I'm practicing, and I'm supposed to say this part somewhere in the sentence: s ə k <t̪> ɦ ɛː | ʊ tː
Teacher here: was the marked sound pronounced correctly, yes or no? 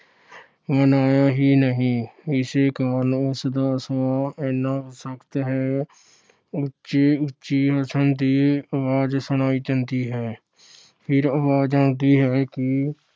yes